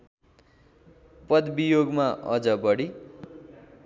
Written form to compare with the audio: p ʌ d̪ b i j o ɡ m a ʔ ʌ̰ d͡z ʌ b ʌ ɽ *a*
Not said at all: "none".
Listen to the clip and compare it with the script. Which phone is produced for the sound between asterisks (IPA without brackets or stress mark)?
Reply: i